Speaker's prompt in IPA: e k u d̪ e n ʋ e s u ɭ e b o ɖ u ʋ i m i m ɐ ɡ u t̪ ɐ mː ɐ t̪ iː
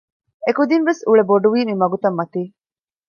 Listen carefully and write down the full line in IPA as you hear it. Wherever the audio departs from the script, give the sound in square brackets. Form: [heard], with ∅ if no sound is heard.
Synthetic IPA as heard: e k u d̪ [i] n ʋ e s u ɭ e b o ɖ u ʋ [iː] m i m ɐ ɡ u t̪ ɐ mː ɐ t̪ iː